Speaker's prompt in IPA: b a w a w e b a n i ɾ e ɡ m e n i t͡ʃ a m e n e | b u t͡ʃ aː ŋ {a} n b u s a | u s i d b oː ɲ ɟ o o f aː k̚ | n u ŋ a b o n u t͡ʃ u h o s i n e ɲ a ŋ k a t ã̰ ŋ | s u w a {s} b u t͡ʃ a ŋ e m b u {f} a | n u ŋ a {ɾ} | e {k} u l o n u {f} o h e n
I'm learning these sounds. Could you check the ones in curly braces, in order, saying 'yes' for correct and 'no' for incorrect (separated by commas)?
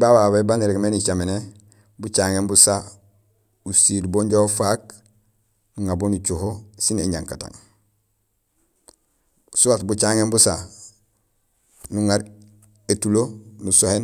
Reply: no, no, no, yes, no, no